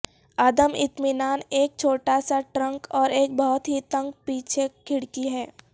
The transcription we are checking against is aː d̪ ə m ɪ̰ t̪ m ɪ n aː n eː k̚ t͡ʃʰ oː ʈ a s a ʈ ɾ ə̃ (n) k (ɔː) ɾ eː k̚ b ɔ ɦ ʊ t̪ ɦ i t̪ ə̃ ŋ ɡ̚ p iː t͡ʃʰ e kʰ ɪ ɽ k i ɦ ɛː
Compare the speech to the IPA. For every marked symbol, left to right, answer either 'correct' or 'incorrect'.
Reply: incorrect, correct

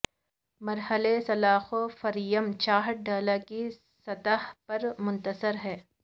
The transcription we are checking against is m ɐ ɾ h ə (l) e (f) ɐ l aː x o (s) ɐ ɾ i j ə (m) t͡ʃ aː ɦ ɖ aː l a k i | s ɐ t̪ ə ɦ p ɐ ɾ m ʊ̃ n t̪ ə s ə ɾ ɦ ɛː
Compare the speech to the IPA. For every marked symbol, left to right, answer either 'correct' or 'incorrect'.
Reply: correct, incorrect, incorrect, correct

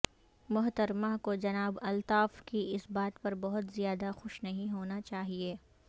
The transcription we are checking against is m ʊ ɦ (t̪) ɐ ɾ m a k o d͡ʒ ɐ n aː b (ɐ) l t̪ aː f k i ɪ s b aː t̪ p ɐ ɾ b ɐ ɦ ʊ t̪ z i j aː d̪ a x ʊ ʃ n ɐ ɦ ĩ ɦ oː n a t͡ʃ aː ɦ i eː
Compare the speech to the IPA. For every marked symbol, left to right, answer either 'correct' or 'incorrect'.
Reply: correct, correct

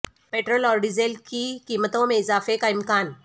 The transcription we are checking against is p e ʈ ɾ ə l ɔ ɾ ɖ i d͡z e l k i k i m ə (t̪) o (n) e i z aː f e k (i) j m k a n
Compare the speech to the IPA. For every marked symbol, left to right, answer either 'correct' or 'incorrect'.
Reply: correct, incorrect, incorrect

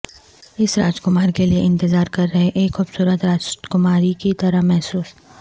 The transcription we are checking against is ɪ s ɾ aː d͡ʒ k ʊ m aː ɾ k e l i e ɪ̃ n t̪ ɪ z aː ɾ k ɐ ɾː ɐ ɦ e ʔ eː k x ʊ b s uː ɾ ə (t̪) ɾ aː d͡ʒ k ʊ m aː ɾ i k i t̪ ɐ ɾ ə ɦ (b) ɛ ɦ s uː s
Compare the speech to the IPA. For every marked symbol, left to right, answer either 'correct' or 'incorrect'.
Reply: correct, incorrect

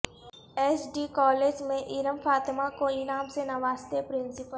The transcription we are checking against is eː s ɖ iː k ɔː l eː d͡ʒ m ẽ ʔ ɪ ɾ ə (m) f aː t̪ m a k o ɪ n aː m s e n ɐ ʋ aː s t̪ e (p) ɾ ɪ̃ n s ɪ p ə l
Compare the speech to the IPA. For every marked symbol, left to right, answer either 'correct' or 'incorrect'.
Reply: correct, correct

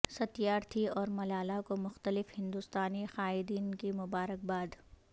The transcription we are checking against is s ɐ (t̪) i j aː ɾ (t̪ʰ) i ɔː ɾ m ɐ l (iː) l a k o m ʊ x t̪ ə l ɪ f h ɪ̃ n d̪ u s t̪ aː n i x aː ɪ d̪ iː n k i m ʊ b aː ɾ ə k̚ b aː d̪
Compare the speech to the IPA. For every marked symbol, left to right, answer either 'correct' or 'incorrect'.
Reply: correct, correct, incorrect

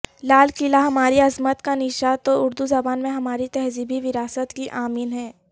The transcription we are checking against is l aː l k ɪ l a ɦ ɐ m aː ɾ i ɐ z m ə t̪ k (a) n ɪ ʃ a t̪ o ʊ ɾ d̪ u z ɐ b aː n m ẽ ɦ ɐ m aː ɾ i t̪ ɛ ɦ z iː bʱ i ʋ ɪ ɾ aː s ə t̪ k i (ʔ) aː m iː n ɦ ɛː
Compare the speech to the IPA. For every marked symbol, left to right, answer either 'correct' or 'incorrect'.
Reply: correct, correct

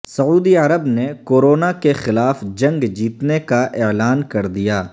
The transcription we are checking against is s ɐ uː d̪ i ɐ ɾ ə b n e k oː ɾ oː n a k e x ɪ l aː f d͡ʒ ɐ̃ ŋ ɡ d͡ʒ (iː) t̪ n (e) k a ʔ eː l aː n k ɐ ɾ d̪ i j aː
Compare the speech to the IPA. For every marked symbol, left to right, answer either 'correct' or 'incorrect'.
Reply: correct, correct

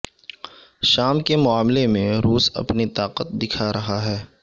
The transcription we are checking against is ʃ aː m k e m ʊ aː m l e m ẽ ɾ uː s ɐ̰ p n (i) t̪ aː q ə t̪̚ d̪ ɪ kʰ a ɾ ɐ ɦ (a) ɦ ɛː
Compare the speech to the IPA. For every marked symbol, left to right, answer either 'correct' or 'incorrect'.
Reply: correct, correct

